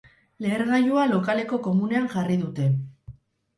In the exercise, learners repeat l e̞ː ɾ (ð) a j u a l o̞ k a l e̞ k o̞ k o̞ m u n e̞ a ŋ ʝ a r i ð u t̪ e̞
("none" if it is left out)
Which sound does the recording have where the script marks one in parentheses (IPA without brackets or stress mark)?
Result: ɣ